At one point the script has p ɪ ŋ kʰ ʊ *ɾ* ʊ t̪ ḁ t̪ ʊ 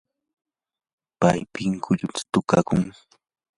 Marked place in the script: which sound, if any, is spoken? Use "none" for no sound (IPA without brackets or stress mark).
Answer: ʎ